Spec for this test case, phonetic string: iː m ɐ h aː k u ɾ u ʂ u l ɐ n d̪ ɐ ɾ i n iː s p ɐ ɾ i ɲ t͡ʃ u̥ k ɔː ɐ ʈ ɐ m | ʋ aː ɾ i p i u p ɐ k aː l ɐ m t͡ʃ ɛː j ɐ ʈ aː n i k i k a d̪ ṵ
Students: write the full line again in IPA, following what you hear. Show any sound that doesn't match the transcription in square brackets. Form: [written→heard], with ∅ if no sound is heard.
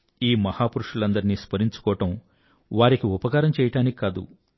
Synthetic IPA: iː m ɐ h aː [k→p] u ɾ u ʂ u l ɐ n d̪ ɐ ɾ i n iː s p ɐ ɾ i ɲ t͡ʃ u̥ k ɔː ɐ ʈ ɐ m | ʋ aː ɾ i [p→k] i u p ɐ k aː [l→ɾ] ɐ m t͡ʃ ɛː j ɐ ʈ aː n i k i k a d̪ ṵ